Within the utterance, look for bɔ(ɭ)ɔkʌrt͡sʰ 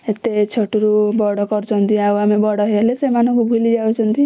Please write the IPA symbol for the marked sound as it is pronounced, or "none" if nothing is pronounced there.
ɽ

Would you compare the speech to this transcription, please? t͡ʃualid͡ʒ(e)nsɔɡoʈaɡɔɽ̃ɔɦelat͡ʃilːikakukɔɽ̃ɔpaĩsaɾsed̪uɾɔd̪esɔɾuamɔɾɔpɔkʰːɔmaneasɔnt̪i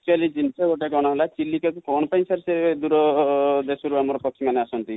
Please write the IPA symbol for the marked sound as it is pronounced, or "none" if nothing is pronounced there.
i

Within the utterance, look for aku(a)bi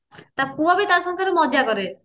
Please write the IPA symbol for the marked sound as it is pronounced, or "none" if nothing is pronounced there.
a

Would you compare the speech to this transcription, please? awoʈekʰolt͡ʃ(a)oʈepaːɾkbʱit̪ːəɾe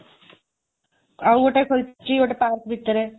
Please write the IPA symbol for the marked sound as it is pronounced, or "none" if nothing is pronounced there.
i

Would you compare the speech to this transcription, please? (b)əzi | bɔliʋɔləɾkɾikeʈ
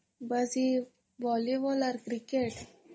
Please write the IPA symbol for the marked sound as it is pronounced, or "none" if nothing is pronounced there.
b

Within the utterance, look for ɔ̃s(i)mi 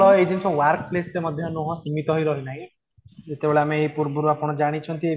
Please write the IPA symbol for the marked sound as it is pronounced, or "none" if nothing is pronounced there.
i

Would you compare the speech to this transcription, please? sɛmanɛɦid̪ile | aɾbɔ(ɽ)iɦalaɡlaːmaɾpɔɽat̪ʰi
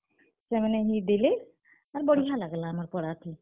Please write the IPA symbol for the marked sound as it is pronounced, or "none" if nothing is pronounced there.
ɽ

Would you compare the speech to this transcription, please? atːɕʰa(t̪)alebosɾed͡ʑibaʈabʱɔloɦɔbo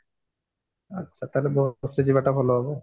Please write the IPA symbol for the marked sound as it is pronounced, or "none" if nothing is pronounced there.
t̪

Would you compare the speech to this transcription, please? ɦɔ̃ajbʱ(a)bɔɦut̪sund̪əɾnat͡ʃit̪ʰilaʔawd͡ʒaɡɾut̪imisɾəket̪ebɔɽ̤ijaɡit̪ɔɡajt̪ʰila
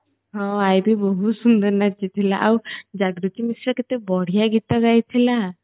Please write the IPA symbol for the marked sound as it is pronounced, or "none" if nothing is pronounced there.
i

